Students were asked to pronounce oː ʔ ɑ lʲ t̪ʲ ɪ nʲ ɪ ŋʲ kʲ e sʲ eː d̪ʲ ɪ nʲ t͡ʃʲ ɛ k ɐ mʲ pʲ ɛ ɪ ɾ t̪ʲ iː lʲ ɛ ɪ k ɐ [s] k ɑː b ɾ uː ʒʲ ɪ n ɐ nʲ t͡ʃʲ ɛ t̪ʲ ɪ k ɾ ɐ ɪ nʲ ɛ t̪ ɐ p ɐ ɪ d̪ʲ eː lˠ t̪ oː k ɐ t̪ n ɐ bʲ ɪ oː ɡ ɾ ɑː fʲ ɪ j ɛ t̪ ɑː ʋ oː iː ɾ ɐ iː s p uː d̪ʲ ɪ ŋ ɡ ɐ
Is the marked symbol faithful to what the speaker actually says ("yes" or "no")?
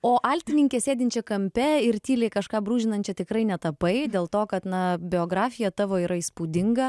no